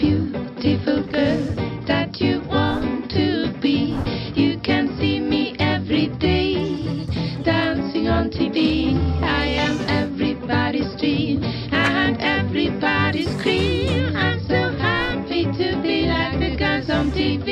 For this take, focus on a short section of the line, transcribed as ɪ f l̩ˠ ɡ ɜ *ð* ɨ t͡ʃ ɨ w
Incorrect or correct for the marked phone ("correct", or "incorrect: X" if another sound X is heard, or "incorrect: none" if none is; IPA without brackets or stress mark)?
correct